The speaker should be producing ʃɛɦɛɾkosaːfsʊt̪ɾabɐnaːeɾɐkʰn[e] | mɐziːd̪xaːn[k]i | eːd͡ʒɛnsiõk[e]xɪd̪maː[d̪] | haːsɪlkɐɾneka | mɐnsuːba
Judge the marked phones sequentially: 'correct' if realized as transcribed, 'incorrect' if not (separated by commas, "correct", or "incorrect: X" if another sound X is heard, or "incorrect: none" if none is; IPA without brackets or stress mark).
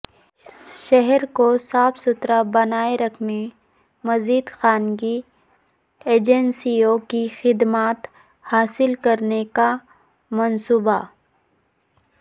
correct, incorrect: ɡ, incorrect: i, incorrect: t̪